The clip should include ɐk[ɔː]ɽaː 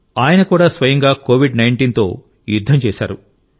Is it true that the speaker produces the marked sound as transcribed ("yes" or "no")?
no